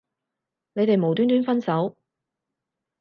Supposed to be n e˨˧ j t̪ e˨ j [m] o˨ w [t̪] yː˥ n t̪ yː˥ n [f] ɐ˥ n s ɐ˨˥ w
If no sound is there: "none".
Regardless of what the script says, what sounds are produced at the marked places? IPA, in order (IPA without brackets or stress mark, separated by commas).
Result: m, t̪, f